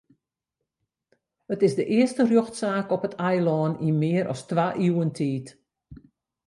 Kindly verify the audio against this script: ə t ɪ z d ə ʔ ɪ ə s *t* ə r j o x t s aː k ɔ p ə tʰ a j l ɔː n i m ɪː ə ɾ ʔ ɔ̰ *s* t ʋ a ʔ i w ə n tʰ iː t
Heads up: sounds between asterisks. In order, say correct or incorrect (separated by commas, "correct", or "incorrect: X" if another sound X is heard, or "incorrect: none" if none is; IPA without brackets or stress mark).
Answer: correct, correct